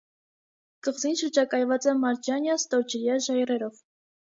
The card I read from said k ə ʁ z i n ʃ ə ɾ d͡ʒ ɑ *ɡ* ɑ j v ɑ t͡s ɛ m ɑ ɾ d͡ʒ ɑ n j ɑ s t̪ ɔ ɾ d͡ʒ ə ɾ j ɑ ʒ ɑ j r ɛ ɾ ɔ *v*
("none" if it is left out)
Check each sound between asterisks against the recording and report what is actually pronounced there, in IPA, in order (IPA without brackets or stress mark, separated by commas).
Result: k, v